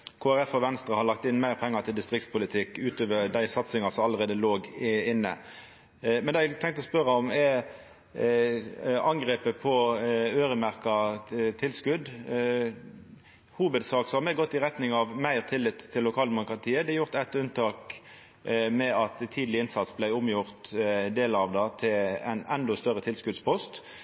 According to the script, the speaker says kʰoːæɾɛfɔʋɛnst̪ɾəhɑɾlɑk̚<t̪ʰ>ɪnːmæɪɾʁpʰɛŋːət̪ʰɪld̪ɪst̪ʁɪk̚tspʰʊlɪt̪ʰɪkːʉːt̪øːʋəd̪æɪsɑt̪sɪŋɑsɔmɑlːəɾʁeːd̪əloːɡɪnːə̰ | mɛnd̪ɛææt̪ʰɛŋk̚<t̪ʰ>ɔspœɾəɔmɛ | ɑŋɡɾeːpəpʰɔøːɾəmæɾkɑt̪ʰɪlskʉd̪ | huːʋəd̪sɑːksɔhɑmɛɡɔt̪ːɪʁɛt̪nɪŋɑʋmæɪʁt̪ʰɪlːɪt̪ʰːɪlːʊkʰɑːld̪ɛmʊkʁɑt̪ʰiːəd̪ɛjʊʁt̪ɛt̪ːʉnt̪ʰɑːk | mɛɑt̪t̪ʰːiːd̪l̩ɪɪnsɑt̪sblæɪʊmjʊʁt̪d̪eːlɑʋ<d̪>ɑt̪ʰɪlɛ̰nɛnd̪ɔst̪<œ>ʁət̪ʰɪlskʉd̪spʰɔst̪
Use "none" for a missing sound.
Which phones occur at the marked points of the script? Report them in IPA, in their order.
t̪, t̪, d̪, œ

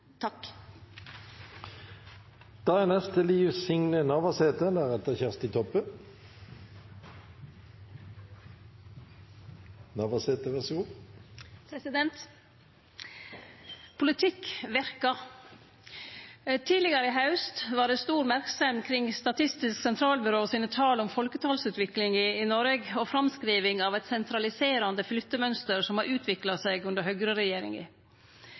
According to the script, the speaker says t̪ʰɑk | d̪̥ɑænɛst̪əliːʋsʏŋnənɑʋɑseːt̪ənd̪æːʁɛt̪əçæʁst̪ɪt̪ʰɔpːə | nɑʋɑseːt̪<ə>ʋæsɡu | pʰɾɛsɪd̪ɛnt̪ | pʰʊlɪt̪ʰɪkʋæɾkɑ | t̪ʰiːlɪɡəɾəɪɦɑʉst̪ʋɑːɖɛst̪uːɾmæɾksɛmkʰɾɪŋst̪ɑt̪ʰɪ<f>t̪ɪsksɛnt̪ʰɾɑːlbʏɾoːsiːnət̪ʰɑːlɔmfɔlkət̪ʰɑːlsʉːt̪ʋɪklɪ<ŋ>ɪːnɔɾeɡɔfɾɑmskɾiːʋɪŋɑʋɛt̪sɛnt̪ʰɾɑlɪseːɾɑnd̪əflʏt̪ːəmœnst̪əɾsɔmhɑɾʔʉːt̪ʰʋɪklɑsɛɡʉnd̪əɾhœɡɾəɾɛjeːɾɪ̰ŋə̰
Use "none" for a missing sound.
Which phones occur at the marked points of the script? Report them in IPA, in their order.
ə, s, ŋ

